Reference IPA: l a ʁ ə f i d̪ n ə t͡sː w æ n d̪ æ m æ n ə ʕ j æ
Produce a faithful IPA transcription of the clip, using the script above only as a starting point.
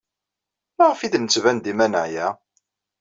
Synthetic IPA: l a ʁ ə f i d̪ n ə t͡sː v æ n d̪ i m æ n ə ʕ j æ